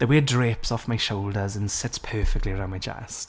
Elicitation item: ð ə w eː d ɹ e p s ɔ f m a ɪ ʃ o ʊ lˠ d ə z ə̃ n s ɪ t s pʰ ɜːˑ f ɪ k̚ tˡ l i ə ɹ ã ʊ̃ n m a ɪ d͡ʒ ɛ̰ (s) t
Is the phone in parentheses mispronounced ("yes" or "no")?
no